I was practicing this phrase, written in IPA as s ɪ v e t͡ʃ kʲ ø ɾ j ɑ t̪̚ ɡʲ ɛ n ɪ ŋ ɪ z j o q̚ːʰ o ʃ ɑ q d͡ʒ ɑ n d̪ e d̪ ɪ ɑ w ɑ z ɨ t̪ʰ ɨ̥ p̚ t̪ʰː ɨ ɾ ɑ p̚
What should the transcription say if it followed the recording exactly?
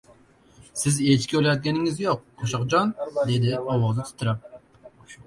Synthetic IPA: s ɪ z e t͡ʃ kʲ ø l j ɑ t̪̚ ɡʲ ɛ n ɪ ŋ ɪ z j o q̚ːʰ o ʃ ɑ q d͡ʒ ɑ n d̪ e d̪ ɪ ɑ w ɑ z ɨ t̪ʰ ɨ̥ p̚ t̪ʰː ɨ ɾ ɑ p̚